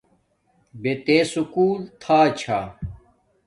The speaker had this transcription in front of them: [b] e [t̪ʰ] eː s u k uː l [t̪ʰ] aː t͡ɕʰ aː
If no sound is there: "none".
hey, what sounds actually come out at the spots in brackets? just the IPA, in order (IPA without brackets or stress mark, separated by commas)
b, t̪, t̪ʰ